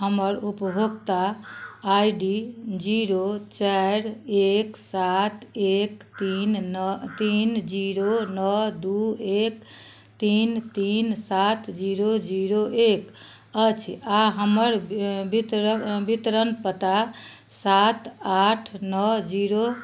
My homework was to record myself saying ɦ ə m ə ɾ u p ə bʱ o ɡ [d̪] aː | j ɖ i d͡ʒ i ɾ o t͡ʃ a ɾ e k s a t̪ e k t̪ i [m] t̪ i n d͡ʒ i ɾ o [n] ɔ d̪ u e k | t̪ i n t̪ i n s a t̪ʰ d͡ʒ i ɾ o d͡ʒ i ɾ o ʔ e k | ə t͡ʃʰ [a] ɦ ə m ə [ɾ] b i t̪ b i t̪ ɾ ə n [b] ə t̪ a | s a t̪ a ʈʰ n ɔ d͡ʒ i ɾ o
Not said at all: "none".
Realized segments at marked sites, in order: t̪, n, n, a, ɾ, p

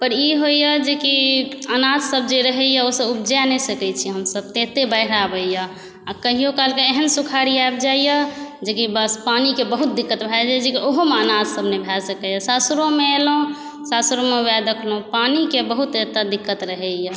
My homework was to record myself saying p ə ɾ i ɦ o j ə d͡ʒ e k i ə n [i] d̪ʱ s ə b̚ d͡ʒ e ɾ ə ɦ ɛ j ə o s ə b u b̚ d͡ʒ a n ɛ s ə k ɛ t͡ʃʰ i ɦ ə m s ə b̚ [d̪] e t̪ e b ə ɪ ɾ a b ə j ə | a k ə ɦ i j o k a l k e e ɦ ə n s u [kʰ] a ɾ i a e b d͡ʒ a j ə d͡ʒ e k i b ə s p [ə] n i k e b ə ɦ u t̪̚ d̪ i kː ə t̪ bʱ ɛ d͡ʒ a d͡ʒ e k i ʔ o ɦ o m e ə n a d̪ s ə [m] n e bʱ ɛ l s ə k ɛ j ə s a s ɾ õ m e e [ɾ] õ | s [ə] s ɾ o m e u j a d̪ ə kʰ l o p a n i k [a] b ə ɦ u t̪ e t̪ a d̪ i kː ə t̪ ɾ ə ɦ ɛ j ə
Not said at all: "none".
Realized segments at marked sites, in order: a, t̪, kʰ, a, b, l, a, e

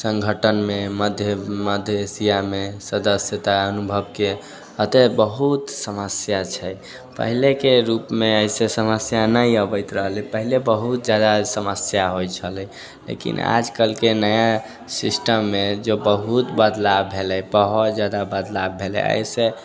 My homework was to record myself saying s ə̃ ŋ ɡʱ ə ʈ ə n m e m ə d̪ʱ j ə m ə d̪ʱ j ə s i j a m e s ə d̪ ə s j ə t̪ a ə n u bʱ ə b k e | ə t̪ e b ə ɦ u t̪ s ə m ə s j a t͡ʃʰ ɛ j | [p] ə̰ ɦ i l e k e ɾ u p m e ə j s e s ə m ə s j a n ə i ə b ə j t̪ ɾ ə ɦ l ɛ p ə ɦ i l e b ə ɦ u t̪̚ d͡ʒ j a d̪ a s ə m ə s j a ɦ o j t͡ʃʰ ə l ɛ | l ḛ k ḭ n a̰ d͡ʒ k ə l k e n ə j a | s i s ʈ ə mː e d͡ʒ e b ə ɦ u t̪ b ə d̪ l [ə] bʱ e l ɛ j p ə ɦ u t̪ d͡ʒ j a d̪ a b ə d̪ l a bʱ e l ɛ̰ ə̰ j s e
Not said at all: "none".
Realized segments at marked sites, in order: p, a

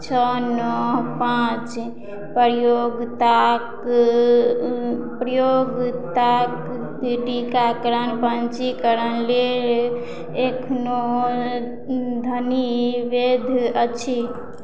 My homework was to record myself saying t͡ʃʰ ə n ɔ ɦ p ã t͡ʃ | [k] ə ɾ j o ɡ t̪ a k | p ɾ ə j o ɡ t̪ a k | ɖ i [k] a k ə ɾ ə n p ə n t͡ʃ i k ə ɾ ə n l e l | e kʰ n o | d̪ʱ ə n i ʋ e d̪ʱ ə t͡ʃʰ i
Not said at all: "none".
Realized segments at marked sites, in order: p, k

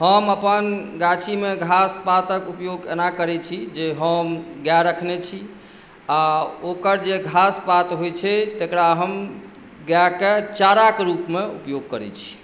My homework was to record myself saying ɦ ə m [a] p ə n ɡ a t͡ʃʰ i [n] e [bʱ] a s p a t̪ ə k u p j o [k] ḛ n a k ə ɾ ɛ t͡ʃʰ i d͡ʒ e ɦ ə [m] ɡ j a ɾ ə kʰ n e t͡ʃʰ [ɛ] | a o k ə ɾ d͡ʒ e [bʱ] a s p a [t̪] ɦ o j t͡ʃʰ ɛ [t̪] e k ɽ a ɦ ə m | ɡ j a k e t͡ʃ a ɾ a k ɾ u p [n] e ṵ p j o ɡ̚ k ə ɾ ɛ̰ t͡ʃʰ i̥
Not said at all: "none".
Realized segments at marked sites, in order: ə, m, ɡʱ, ɡ, m, i, ɡʱ, t̪, t̪, m

